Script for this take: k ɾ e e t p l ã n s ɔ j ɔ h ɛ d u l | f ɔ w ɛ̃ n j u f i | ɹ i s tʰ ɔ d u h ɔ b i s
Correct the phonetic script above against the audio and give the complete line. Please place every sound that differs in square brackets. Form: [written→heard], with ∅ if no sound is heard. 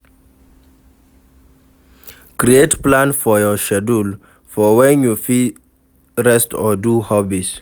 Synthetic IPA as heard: k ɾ [e→i] e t p l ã n [s→f] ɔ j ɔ [h→ʃ] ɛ d u l | f ɔ w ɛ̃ n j u f i | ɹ [i→ɛ] s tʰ ɔ d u h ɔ b i s